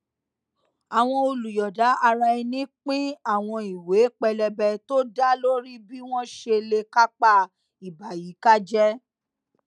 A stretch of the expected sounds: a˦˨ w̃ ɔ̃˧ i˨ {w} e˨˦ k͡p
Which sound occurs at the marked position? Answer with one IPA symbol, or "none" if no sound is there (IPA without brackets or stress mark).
w